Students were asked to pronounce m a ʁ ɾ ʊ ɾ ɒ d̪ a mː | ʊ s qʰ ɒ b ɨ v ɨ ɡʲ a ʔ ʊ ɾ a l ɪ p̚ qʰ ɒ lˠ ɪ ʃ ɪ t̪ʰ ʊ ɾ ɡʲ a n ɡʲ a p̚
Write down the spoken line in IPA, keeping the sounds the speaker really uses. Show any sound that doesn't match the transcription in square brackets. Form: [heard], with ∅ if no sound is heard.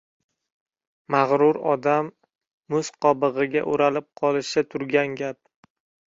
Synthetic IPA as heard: m a ʁ ɾ ʊ ɾ ɒ d̪ a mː | ʊ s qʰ ɒ b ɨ [ʁ] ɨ ɡʲ a ʔ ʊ ɾ a l ɪ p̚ qʰ ɒ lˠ ɪ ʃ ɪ t̪ʰ ʊ ɾ ɡʲ a n ɡʲ a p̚

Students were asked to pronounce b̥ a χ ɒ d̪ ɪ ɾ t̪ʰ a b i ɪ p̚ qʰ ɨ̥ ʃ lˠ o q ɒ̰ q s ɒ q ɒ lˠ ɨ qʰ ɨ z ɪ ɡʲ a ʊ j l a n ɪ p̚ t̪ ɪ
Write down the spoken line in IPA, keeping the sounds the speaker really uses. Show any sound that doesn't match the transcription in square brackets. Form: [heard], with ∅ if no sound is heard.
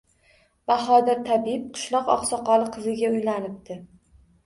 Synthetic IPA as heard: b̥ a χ ɒ d̪ ɪ ɾ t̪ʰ a b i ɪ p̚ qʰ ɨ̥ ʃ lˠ [ɒ] q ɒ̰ q s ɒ q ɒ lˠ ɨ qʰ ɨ z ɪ ɡʲ a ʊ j l a n ɪ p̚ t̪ ɪ

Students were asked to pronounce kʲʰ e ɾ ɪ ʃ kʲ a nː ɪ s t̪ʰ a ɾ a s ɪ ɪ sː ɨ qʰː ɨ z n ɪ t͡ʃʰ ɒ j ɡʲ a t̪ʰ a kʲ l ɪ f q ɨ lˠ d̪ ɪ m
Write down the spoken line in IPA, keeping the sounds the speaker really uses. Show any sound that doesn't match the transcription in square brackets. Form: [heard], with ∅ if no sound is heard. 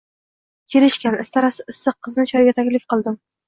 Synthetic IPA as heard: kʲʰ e ɾ ɪ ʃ kʲ a [n] ɪ s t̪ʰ a ɾ a s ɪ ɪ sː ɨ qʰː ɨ z n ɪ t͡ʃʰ ɒ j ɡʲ a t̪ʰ a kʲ l ɪ f q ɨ lˠ d̪ ɪ m

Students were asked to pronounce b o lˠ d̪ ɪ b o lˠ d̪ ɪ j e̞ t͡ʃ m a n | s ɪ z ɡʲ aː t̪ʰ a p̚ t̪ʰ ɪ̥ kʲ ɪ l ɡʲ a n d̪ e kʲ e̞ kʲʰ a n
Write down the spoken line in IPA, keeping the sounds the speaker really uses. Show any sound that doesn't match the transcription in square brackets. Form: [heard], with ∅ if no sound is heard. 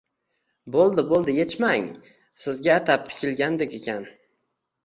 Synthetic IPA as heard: b o lˠ d̪ ɪ b o lˠ d̪ ɪ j e̞ t͡ʃ m a [ŋ] | s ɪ z ɡʲ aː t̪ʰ a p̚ t̪ʰ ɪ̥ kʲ ɪ l ɡʲ a n d̪ e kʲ e̞ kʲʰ a n

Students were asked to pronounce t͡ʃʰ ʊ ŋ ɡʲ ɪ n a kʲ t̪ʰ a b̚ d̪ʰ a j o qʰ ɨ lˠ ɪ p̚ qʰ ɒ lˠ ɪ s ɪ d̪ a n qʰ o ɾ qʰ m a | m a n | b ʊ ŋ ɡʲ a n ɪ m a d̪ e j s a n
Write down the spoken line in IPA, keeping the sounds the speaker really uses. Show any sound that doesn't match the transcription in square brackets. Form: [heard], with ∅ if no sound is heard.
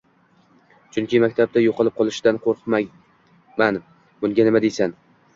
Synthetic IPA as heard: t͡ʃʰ ʊ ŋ [kʲ] ɪ [m] a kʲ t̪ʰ a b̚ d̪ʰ a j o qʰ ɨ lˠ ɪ p̚ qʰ ɒ lˠ ɪ [ʃ] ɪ d̪ a n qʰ o ɾ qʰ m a | m a n | b ʊ ŋ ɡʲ a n ɪ m a d̪ e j s a n

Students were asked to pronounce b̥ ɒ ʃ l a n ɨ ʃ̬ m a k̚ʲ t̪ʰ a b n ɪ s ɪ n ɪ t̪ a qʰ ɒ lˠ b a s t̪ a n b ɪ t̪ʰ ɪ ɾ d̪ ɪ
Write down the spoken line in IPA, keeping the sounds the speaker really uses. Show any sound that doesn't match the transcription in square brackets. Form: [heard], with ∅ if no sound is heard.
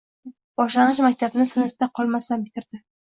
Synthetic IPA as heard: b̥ ɒ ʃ l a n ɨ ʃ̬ m a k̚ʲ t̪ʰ a b n ɪ s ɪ n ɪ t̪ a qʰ ɒ lˠ [m] a s t̪ a n b ɪ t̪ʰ ɪ ɾ d̪ ɪ

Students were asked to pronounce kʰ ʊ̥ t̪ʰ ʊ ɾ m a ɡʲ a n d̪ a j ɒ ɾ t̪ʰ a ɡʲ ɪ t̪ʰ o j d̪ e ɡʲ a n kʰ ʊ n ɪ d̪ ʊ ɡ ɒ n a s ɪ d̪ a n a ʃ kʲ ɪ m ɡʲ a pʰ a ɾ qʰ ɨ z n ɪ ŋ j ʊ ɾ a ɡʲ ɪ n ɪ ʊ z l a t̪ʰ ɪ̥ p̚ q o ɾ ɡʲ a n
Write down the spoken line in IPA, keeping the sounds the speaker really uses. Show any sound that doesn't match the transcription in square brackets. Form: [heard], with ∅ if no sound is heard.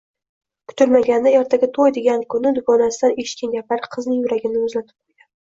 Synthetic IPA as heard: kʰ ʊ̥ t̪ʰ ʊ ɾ m a ɡʲ a n d̪ a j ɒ ɾ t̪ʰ a ɡʲ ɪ t̪ʰ o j d̪ e ɡʲ a n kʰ ʊ n ɪ d̪ ʊ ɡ ɒ n a s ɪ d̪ a n [e] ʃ kʲ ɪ [n] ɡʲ a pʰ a ɾ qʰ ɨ z n ɪ ŋ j ʊ ɾ a ɡʲ ɪ n ɪ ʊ z l a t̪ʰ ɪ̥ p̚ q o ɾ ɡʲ a n

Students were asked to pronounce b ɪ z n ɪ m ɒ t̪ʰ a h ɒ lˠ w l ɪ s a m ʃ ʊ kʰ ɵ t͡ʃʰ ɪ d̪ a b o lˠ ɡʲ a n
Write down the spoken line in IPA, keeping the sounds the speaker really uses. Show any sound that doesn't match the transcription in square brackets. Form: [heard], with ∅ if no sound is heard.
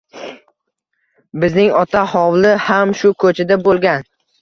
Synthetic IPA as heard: b ɪ z n ɪ [ŋ] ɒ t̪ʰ a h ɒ [∅] w l ɪ [h] a m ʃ ʊ kʰ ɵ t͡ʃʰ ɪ d̪ a b o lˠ ɡʲ a n

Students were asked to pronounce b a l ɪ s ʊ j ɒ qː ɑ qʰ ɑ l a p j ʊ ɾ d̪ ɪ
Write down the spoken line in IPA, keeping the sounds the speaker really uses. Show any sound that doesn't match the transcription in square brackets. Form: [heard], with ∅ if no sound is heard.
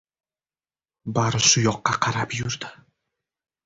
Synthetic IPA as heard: b a [ɾ] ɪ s ʊ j ɒ qː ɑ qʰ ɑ [ɾ] a p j ʊ ɾ d̪ ɪ

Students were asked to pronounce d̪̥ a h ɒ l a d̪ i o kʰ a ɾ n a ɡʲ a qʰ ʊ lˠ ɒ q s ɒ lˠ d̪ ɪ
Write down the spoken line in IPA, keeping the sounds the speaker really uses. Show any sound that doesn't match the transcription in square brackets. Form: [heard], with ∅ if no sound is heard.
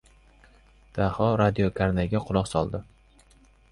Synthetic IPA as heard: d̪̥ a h ɒ [ɾ] a d̪ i o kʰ a ɾ n a ɡʲ a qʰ ʊ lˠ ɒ q s ɒ lˠ d̪ ɪ

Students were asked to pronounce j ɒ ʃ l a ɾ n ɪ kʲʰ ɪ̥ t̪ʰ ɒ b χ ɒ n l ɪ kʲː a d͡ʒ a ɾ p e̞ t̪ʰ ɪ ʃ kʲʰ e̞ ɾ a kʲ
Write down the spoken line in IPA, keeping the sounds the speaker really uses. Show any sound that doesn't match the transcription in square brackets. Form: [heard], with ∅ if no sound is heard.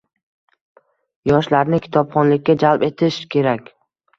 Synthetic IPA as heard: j ɒ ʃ l a ɾ n ɪ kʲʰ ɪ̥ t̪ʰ ɒ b χ ɒ n l ɪ kʲː a d͡ʒ a [l] p e̞ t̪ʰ ɪ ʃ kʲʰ e̞ ɾ a kʲ

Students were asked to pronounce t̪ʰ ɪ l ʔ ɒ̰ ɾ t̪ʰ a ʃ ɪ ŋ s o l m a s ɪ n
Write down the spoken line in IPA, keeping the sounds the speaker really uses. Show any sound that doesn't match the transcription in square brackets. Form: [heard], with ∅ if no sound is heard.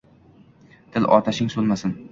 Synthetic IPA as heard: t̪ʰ ɪ l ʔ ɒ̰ ɾ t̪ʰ a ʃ ɪ ŋ s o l m a s ɪ n

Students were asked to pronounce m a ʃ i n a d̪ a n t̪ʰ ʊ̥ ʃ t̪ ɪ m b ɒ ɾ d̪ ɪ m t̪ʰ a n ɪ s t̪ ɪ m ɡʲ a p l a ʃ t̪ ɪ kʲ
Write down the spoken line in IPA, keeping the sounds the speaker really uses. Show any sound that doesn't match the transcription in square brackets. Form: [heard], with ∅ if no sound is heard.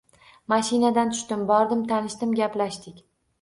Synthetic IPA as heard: m a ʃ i n a d̪ a n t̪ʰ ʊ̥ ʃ t̪ ɪ m b ɒ ɾ d̪ ɪ m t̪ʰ a n ɪ [ʃ] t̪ ɪ m ɡʲ a p l a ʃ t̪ ɪ kʲ

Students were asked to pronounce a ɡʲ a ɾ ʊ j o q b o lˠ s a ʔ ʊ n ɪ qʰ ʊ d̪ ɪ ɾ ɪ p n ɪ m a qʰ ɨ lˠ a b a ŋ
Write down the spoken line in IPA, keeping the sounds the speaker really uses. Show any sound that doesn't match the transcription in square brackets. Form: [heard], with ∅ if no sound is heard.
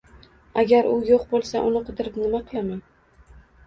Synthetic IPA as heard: a ɡʲ a ɾ ʊ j o q b o lˠ s a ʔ ʊ n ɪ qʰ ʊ d̪ ɪ ɾ ɪ p n ɪ m a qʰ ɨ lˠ a [m] a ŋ

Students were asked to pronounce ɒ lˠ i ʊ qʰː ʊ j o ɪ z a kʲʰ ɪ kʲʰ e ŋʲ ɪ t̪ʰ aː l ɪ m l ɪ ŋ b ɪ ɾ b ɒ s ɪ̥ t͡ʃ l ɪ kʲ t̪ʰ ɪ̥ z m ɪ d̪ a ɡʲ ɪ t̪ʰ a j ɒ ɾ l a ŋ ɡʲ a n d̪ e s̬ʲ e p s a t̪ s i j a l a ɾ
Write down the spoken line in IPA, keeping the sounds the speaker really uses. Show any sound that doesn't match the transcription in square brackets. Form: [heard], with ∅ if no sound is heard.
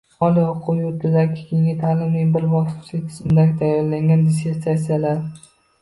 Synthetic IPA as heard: ɒ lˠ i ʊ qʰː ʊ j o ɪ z a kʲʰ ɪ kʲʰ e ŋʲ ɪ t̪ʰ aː l ɪ m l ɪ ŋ b ɪ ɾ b ɒ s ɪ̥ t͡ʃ l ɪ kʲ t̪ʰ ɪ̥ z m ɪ d̪ a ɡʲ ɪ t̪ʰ a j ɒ ɾ l a ŋ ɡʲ a n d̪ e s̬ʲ e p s a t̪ s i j a l a ɾ

